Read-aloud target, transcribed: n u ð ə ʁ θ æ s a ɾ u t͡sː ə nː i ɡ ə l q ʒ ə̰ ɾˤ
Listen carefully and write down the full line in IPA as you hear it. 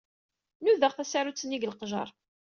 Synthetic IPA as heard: n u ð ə ʁ θ æ s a ɾ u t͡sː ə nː i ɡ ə l q ʒ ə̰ ɾˤ